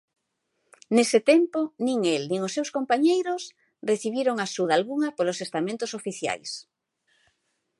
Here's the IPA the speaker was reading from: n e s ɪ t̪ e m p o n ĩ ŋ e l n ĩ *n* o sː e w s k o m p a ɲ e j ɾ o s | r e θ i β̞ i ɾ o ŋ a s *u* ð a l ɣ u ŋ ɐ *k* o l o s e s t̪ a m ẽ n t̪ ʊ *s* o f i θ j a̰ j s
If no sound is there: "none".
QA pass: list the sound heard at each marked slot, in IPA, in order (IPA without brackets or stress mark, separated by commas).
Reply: ŋ, u, p, s